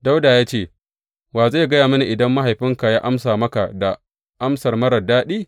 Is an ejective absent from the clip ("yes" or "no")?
yes